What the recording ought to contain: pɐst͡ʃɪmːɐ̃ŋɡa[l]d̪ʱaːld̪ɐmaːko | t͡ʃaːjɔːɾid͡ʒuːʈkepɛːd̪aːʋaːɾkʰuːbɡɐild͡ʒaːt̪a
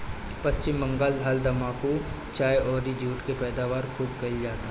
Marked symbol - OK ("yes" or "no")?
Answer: yes